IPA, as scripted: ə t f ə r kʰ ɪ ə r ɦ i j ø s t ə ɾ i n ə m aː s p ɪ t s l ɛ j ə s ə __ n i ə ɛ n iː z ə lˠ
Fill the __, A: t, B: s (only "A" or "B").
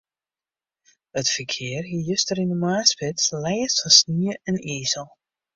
B